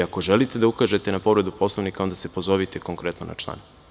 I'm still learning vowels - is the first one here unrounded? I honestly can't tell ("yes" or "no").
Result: yes